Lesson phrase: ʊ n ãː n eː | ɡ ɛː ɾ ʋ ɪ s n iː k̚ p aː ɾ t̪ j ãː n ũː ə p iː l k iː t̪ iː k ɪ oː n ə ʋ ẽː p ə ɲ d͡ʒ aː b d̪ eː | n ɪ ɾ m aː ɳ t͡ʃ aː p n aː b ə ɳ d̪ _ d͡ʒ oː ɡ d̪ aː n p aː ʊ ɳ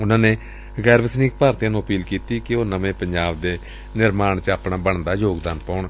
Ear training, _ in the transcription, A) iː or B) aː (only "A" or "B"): B